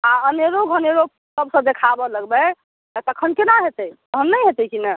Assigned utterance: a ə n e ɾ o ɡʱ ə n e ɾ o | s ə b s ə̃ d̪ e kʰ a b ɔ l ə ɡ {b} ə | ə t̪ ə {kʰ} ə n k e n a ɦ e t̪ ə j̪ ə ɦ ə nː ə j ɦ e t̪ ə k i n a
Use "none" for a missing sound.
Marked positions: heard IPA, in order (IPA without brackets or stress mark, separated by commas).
b, kʰ